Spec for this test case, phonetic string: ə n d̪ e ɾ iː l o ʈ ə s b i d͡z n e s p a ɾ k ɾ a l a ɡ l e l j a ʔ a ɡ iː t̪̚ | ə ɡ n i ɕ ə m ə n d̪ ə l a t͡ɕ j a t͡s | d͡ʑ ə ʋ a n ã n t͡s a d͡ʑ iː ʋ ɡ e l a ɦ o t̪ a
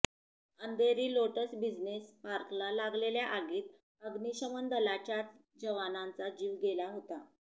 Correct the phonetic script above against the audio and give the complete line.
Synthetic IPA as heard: ə n d̪ e ɾ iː l o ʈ ə s b i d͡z n e s p a ɾ k l a l a ɡ l e l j a ʔ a ɡ iː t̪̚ | ə ɡ n i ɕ ə m ə n d̪ ə l a t͡ɕ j a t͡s | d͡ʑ ə ʋ a n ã n t͡s a d͡ʑ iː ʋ ɡ e l a ɦ o t̪ a